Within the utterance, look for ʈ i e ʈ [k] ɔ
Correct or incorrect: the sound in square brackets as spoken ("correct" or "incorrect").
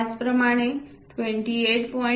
incorrect